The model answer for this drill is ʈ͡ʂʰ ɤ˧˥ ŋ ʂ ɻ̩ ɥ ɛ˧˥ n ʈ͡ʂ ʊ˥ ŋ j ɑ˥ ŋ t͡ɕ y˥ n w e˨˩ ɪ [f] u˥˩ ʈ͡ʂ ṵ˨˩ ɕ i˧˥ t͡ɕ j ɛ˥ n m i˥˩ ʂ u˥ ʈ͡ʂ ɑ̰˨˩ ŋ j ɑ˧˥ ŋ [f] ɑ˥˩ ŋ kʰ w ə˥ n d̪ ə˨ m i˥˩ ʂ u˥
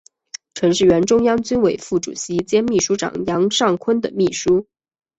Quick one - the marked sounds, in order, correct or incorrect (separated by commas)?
correct, incorrect